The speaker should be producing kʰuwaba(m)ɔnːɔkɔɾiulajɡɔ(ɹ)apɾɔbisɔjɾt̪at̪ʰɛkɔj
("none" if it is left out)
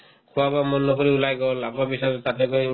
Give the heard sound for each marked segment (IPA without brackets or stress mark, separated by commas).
m, l